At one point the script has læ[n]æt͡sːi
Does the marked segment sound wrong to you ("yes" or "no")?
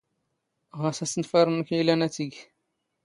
no